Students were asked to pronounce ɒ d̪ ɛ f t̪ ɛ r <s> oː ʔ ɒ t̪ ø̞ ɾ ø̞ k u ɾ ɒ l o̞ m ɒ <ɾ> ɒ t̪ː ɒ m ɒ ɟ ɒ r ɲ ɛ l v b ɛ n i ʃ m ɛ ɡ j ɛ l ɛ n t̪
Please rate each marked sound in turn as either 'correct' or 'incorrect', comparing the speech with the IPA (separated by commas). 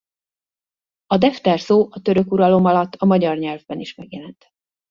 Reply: correct, incorrect